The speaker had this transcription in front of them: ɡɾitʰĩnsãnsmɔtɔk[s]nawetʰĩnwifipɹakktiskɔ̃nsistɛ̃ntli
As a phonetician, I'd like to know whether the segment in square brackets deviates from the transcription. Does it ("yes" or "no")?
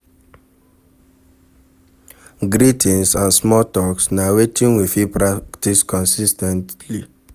no